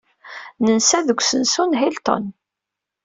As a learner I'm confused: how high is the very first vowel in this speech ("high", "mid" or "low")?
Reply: mid